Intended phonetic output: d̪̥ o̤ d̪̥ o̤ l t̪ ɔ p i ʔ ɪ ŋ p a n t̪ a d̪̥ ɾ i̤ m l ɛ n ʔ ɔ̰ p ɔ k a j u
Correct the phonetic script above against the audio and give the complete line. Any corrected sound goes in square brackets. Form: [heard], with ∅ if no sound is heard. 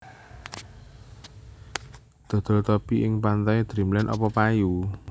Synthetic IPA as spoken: d̪̥ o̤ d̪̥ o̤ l t̪ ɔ p i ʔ ɪ ŋ p a n t̪ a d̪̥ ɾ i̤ m l ɛ n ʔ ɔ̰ p ɔ [p] a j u